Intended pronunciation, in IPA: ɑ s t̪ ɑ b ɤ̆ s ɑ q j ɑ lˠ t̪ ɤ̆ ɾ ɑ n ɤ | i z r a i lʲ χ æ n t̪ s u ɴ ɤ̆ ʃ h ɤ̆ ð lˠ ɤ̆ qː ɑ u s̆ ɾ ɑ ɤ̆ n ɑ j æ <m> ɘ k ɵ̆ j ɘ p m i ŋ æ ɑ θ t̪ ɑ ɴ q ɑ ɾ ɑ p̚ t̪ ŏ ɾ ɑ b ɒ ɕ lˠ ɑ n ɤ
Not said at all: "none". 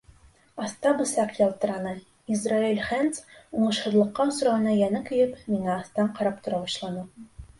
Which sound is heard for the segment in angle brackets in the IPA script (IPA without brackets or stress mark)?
n